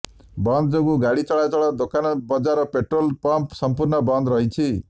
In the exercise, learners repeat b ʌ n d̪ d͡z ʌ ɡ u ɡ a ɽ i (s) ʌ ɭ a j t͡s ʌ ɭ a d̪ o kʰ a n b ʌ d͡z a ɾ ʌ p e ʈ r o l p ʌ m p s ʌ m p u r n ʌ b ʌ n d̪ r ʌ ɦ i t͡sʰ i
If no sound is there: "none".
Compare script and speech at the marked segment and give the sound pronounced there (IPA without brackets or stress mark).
t͡s